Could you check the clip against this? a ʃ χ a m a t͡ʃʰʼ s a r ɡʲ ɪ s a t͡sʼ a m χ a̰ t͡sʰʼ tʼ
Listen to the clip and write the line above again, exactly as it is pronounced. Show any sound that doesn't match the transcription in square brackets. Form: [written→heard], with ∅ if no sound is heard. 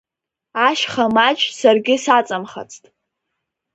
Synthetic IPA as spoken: a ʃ χ a m a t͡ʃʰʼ s a r ɡʲ ɪ s a t͡sʼ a m χ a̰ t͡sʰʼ tʼ